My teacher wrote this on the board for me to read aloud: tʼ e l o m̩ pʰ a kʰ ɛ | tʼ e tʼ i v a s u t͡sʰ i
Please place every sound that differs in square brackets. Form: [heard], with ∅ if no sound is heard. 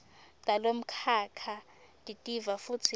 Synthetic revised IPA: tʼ [a] l o m̩ [kʰ] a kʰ [a] | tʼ [i] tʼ i v a [f] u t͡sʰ i